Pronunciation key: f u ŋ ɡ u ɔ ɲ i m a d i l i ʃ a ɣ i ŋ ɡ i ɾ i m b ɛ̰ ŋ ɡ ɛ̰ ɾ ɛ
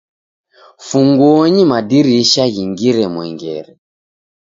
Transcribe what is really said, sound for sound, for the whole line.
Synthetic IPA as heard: f u ŋ ɡ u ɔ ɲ i m a d i ɾ i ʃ a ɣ i ŋ ɡ i ɾ ɛ m w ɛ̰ ŋ ɡ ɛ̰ ɾ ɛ